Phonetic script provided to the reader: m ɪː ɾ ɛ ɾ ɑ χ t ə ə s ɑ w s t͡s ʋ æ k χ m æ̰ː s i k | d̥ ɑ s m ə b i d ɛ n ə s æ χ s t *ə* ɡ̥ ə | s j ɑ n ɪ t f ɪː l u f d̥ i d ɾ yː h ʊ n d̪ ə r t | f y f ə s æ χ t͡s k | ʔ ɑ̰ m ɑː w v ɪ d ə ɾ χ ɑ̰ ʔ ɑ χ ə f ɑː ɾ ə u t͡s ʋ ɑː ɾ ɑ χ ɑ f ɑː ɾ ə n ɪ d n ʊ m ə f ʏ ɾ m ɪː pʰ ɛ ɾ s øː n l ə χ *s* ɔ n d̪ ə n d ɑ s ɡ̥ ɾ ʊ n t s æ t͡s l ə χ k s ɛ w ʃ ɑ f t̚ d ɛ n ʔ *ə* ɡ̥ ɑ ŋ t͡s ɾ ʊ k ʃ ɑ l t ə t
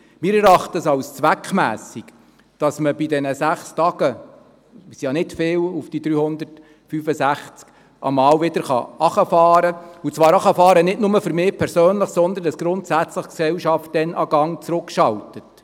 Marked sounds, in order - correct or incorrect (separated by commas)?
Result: incorrect, correct, incorrect